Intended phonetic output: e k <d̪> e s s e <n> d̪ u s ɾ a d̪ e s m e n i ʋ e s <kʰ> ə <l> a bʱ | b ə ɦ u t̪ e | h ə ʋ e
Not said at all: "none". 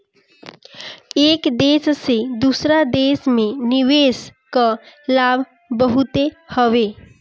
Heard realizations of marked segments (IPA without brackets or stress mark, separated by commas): d̪, none, k, l